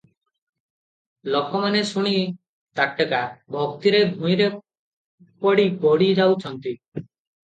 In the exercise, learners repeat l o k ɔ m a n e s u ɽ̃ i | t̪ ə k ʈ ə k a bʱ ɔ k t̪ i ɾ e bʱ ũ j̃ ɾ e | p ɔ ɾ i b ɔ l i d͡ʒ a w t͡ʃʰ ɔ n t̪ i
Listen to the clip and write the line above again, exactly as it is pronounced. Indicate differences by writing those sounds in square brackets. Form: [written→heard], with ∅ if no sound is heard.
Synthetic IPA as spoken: l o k ɔ m a n e s u ɽ̃ i | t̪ [ə→a] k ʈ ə k a bʱ ɔ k t̪ i ɾ e bʱ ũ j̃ ɾ e | p ɔ [ɾ→ɽ] i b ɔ [l→ɽ] i d͡ʒ a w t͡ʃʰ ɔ n t̪ i